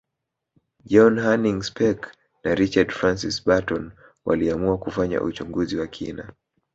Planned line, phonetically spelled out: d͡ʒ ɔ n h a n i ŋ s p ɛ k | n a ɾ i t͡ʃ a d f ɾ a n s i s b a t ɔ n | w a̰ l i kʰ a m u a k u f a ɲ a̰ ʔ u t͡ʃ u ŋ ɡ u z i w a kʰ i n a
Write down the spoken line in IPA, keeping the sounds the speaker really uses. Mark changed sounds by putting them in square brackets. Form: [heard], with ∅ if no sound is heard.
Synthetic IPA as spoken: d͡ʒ ɔ n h a n i ŋ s p ɛ k | n a ɾ i t͡ʃ a d f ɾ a n s i s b a t ɔ n | w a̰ l i [∅] a m u a k u f a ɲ a̰ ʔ u t͡ʃ u ŋ ɡ u z i w a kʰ i n a